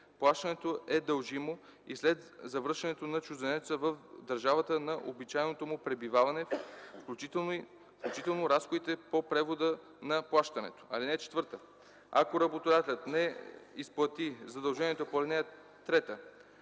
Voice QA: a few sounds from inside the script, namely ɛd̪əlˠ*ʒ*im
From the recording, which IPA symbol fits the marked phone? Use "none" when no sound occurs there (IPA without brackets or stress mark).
ʒ